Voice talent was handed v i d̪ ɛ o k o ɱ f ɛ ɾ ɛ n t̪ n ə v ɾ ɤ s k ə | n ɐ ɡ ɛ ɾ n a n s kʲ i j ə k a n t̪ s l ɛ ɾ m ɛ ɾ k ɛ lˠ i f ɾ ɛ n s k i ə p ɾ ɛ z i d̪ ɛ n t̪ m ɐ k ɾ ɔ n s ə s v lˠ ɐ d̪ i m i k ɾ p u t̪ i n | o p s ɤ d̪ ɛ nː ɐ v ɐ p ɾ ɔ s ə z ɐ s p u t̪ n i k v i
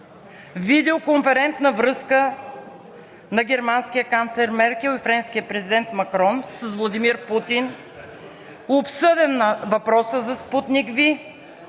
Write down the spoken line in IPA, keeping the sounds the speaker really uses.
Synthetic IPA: v i d̪ ɛ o k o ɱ f ɛ ɾ ɛ n t̪ n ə v ɾ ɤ s k ə | n ɐ ɡ ɛ ɾ m a n s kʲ i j ə k a n t̪ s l ɛ ɾ m ɛ ɾ k ɛ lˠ i f ɾ ɛ n s k i ə p ɾ ɛ z i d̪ ɛ n t̪ m ɐ k ɾ ɔ n s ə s v lˠ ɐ d̪ i m i ɾ p u t̪ i n | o p s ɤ d̪ ɛ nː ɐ v ɐ p ɾ ɔ s ə z ɐ s p u t̪ n i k v i